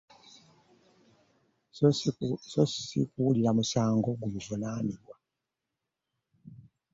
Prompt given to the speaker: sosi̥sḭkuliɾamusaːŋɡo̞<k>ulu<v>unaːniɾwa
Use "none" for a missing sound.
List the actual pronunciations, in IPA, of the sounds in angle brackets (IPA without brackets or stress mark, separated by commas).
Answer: ɡ, v